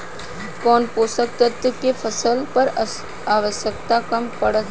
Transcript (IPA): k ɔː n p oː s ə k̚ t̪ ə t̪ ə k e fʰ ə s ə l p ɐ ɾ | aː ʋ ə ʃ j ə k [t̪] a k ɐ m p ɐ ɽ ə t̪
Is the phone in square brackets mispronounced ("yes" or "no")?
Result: no